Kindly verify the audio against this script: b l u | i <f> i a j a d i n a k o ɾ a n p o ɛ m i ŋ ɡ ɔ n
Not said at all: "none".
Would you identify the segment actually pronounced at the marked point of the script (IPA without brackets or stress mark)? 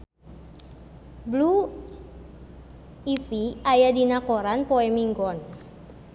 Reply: f